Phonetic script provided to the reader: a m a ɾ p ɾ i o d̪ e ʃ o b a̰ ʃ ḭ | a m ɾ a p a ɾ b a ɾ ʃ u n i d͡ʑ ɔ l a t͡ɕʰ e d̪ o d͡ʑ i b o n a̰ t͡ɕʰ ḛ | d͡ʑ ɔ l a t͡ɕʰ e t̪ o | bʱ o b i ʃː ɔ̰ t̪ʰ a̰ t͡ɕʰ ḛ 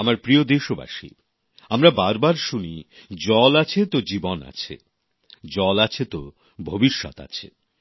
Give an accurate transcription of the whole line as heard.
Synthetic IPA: a m a ɾ p ɾ i o d̪ e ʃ o b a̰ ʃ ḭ | a m ɾ a b a ɾ b a ɾ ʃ u n i d͡ʑ ɔ l a t͡ɕʰ e t̪ o d͡ʑ i b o n a̰ t͡ɕʰ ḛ | d͡ʑ ɔ l a t͡ɕʰ e t̪ o | bʱ o b i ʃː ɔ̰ t̪ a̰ t͡ɕʰ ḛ